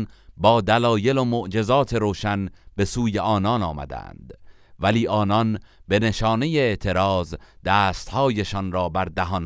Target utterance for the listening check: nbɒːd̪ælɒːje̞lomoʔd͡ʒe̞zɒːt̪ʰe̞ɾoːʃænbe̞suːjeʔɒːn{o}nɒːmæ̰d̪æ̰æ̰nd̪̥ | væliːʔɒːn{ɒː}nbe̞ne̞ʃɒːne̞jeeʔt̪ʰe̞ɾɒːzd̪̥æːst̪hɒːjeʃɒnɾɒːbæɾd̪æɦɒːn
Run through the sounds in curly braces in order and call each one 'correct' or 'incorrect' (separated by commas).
incorrect, incorrect